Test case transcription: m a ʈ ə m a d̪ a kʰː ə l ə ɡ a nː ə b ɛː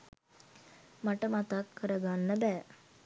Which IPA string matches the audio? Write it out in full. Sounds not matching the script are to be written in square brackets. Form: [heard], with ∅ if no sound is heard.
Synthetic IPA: m a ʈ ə m a [t̪] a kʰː ə [ɾ] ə ɡ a nː ə b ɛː

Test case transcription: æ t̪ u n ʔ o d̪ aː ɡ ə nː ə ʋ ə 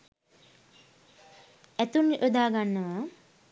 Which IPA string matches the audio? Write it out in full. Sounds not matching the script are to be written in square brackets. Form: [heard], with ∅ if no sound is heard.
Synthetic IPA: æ t̪ u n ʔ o d̪ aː ɡ [a] nː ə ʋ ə

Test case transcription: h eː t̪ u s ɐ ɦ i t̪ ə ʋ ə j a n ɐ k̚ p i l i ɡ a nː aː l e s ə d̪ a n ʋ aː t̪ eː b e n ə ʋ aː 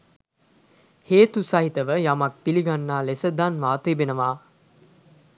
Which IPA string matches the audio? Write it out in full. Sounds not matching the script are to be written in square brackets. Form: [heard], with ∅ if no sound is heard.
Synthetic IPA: h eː t̪ u s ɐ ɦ i t̪ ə ʋ ə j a [m] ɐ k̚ p i l i ɡ a nː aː l e s ə d̪ a n ʋ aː t̪ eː b e n ə ʋ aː

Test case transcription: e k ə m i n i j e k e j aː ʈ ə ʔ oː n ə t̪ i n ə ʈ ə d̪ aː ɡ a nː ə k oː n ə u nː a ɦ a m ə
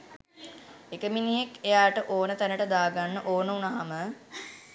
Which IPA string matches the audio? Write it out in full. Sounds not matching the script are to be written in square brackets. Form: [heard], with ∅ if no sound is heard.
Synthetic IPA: e k ə m i n i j e k e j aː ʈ ə ʔ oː n ə t̪ [æ] n ə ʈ ə d̪ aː ɡ a nː ə [ʔ] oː n ə u [n] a ɦ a m ə

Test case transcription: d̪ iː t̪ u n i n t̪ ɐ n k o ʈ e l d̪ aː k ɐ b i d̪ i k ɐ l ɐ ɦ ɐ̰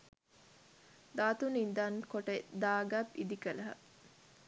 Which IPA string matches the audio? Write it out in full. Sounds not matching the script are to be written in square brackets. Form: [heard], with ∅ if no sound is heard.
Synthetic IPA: d̪ [aː] t̪ u n i n [d̪] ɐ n k o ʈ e [∅] d̪ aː [ɡ] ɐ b i d̪ i k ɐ l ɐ ɦ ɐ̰

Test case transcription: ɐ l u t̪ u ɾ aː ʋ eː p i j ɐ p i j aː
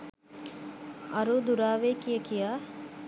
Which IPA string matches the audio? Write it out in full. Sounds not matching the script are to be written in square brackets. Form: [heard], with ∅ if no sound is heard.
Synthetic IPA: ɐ [ɾ] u [d̪] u ɾ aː ʋ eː [k] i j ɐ [k] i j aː

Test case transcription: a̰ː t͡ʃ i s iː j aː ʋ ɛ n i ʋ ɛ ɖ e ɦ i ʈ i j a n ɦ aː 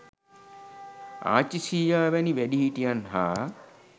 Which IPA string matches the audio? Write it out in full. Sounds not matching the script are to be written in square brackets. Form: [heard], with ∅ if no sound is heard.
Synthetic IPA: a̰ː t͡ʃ i s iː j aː ʋ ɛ n i ʋ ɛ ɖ [i] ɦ i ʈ i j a n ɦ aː

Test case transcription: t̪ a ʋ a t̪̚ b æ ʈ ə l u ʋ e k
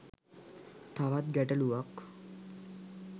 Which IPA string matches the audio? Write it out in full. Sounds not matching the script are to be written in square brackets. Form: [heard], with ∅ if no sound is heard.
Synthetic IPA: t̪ a ʋ a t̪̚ [ɡ] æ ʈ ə l u ʋ [a] k

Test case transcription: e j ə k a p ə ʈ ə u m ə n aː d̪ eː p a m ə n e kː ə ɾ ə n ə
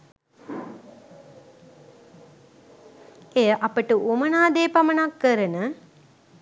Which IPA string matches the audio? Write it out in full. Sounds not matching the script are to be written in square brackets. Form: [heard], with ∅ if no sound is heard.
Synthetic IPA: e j ə [ʔ] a p ə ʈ ə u m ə n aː d̪ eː p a m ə n [a] kː ə ɾ ə n ə

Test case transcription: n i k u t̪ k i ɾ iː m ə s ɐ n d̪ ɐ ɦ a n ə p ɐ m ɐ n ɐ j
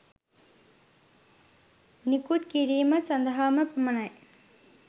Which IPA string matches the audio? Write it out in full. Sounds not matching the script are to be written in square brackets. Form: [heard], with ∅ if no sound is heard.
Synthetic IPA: n i k u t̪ k i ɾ iː m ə s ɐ n d̪ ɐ ɦ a [m] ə p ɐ m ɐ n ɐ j

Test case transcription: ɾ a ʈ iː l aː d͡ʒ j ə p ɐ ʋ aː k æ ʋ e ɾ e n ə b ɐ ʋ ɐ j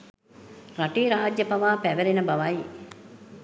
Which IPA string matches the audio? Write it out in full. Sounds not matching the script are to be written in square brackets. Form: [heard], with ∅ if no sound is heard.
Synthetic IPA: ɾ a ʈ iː [ɾ] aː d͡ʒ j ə p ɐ ʋ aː [p] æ ʋ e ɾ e n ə b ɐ ʋ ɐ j

